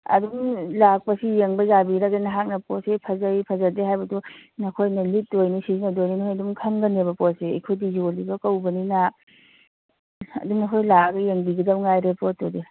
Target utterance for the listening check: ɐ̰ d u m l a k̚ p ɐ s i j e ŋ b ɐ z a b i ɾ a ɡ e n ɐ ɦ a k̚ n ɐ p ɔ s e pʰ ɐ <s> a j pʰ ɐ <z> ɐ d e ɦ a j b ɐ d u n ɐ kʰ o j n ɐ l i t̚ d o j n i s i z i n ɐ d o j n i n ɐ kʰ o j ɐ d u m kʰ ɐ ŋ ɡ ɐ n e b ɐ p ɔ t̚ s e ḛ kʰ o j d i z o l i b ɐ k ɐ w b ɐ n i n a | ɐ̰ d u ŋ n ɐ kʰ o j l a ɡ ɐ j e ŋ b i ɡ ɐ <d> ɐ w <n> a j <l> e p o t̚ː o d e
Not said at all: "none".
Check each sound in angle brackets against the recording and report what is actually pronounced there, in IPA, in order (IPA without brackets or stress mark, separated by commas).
z, z, d, ŋ, ɾ